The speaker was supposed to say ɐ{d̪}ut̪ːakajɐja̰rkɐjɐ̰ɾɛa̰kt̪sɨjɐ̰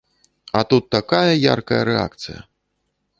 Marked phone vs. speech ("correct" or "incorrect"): incorrect